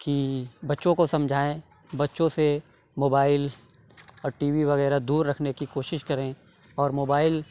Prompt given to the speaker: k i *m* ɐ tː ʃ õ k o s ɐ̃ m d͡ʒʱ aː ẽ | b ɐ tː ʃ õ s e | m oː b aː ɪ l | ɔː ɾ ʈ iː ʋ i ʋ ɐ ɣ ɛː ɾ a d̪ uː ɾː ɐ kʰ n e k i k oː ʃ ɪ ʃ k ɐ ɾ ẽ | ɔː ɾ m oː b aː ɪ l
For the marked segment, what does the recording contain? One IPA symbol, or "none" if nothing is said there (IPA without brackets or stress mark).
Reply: b